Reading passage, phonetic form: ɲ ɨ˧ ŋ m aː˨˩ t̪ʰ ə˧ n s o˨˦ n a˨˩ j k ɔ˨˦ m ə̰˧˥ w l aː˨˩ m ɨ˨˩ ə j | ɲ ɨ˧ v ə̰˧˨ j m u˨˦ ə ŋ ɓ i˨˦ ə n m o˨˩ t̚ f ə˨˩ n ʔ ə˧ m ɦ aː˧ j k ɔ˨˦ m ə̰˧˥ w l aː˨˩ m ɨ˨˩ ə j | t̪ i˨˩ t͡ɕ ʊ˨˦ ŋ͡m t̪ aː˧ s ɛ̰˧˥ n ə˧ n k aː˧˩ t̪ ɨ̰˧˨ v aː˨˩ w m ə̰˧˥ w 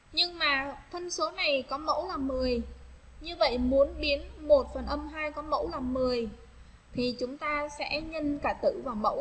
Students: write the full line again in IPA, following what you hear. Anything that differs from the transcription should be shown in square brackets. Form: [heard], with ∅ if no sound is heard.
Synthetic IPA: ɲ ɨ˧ ŋ m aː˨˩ t̪ʰ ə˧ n s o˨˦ n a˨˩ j k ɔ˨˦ m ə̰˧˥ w l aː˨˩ m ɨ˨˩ ə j | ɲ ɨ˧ v ə̰˧˨ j m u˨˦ ə [n] ɓ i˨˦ ə n m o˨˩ t̚ f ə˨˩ n ʔ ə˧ m ɦ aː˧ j k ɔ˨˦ m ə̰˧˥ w l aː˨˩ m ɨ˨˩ ə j | [t̪ʰ] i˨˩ t͡ɕ ʊ˨˦ ŋ͡m t̪ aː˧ s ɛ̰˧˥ [ɲ] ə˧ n k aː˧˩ t̪ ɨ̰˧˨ v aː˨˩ w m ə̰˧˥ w